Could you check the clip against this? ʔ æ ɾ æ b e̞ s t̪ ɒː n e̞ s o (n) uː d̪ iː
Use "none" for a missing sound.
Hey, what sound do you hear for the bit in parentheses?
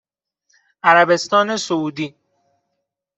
none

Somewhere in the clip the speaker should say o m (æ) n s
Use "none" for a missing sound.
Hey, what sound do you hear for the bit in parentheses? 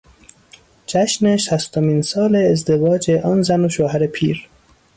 i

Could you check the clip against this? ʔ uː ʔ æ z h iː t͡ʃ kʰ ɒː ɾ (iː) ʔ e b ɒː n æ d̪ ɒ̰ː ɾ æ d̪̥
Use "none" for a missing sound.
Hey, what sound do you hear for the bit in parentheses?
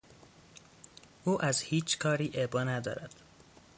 iː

